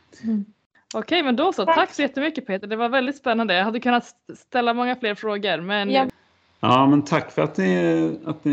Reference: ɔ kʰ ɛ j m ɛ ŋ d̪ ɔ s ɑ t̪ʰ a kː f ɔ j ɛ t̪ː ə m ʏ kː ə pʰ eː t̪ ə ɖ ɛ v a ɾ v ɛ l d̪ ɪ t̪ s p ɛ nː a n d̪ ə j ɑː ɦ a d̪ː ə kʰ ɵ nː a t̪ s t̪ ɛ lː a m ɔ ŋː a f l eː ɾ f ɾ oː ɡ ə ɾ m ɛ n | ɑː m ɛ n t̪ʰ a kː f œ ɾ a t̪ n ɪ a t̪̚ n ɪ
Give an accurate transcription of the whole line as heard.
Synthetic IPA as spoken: ɔ kʰ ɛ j m ɛ n d̪ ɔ s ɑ t̪ʰ a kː s ɔ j ɛ t̪ː ə m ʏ kː ə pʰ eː t̪ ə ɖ ɛ v a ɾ v ɛ l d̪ ɪ t̪ s p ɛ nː a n d̪ ə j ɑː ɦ a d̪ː ə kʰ ɵ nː a t̪ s t̪ ɛ lː a m ɔ ŋː a f l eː ɾ f ɾ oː ɡ ə ɾ m ɛ n | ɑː m ɛ n t̪ʰ a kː f œ ɾ a t̪ n ɪ a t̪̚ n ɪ